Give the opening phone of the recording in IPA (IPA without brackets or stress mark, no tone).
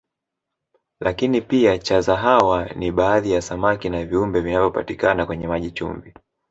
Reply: l